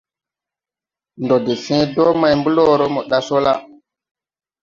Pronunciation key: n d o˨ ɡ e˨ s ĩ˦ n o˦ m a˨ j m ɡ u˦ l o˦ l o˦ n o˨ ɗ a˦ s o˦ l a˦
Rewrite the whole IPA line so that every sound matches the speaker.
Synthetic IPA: n d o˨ d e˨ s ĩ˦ d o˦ m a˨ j m b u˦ l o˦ ɾ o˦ m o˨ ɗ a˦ s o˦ l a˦